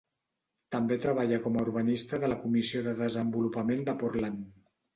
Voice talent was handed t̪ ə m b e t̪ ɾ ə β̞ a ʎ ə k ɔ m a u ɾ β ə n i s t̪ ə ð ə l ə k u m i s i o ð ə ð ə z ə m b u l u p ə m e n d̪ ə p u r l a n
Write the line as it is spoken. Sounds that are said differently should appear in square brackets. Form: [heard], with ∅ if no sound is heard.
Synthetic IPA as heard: t̪ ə m b e t̪ ɾ ə β̞ a ʎ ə k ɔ m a u ɾ β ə n i s t̪ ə ð ə l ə k u m i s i o ð ə ð ə z ə m b u l u p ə m e n d̪ ə p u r l a n